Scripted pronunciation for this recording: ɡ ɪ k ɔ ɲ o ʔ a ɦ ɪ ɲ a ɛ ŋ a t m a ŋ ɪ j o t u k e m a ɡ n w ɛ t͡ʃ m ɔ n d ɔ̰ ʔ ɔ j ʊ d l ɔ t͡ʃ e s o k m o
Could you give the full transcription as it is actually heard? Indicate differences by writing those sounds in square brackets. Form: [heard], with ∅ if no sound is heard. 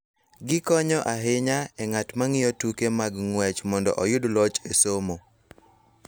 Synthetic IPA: ɡ ɪ k ɔ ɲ [ɔ] ʔ a ɦ ɪ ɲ a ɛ ŋ a t m a ŋ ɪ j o t u k e m a ɡ [ŋ] w ɛ t͡ʃ m ɔ n d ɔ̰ ʔ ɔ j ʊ d l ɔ t͡ʃ e s o [∅] m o